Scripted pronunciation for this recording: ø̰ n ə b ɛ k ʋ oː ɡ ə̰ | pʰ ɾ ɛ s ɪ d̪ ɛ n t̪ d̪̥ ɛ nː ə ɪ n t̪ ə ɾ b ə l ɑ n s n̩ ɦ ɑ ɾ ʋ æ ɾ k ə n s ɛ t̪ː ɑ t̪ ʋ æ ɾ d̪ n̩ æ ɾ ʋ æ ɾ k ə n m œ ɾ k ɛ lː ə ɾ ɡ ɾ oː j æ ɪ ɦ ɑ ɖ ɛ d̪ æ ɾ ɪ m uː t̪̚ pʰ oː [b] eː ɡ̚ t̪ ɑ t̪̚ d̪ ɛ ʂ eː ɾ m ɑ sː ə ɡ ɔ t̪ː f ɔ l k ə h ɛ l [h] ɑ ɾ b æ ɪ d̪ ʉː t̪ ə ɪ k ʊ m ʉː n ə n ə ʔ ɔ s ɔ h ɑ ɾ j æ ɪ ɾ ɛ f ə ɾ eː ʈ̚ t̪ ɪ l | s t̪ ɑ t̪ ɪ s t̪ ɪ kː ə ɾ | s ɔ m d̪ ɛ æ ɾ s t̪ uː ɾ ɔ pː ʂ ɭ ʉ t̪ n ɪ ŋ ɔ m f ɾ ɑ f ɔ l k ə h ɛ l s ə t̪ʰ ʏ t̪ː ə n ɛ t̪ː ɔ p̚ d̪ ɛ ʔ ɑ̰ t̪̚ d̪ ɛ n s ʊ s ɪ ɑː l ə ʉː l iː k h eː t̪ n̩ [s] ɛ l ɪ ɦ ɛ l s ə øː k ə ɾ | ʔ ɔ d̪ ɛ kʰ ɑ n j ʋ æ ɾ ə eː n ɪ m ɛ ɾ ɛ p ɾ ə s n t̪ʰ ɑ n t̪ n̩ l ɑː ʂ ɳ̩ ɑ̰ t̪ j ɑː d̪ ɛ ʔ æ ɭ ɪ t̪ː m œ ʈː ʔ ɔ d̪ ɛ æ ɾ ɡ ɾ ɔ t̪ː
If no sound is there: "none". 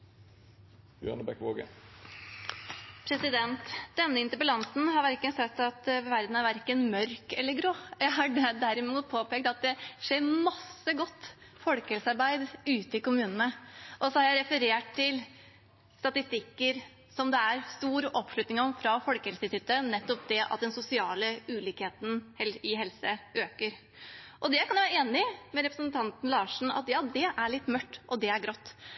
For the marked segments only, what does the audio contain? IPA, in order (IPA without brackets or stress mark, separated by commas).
p, s, h